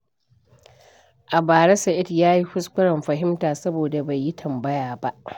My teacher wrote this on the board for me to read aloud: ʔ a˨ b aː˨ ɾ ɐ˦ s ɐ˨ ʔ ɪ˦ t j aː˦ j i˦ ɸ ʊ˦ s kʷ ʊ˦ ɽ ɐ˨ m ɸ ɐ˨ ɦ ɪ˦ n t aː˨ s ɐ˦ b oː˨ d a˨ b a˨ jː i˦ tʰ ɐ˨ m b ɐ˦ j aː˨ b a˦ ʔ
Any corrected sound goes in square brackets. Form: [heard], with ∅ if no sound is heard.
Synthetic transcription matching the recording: ʔ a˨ b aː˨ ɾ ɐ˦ s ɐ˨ ʔ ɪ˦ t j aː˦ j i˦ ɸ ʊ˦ s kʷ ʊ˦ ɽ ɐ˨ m ɸ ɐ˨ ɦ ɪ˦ [m] t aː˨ s ɐ˦ b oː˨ d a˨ b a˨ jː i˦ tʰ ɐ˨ m b ɐ˦ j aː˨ b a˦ ʔ

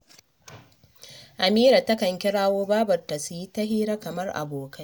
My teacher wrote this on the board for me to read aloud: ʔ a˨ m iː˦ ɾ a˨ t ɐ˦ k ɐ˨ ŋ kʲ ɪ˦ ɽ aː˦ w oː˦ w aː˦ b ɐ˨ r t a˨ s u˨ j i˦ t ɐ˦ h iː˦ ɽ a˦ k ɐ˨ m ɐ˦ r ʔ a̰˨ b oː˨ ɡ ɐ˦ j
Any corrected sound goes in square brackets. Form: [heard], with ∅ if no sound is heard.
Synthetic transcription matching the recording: ʔ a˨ m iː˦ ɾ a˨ t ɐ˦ k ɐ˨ ŋ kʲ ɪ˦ ɽ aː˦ w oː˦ [b] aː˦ b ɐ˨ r t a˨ s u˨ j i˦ t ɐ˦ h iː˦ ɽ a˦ k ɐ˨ m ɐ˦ r ʔ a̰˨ b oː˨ [k] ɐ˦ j

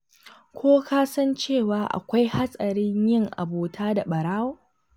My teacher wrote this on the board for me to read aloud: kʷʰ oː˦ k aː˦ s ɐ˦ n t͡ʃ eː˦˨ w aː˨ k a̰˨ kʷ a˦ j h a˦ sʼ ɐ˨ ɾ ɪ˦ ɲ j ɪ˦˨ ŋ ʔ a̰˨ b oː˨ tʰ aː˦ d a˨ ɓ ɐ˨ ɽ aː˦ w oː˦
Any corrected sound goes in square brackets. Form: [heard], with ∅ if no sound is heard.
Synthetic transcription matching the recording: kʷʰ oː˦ k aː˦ s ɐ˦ n t͡ʃ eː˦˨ w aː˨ [ʔ] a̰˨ kʷ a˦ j h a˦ sʼ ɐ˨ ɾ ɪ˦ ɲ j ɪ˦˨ ŋ ʔ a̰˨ b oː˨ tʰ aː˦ d a˨ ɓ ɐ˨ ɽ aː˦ w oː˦

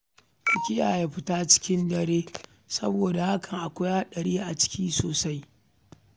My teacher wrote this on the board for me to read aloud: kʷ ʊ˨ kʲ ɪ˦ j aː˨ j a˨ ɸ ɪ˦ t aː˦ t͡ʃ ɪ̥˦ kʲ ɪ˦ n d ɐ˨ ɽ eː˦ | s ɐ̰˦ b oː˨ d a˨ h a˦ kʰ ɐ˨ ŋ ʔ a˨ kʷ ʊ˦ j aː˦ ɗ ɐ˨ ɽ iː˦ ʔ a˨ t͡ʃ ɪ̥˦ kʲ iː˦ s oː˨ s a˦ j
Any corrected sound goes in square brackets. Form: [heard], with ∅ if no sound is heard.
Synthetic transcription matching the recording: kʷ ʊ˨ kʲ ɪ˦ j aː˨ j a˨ ɸ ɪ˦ t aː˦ t͡ʃ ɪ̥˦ kʲ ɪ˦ n d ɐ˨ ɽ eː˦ | s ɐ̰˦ b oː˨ d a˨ h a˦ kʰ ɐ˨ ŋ ʔ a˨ kʷ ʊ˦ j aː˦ ɗ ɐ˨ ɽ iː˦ ʔ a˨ t͡ʃ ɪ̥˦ kʲ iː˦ s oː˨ s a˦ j

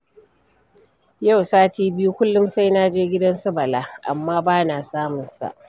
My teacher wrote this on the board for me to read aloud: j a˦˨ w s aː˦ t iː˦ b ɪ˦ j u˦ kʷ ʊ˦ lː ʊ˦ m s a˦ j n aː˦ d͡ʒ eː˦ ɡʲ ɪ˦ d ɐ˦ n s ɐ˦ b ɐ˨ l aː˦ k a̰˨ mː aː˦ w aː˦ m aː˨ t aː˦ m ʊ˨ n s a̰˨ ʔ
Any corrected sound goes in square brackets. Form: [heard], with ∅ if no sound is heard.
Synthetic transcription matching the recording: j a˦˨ w s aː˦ t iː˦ b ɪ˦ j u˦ kʷ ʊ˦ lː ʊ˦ m s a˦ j n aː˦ d͡ʒ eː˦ ɡʲ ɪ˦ d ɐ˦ n s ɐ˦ b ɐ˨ l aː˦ [ʔ] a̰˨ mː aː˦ [b] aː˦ [n] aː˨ [s] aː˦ m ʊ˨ n s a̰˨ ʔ

